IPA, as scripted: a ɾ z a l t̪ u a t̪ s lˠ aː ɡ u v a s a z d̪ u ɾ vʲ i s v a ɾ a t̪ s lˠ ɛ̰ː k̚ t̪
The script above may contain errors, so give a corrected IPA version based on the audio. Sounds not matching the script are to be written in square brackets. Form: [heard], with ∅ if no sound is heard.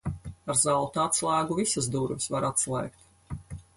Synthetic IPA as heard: a ɾ z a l t̪ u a t̪ s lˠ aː ɡ u v [i] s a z d̪ u ɾ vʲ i s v a ɾ a t̪ s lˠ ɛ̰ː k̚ t̪